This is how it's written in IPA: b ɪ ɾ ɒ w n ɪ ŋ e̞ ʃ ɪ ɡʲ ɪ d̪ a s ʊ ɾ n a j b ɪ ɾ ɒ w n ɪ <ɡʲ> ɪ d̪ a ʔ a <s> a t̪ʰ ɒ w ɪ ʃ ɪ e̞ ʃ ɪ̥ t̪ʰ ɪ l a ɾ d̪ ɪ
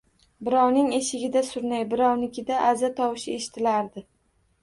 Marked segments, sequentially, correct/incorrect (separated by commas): incorrect, incorrect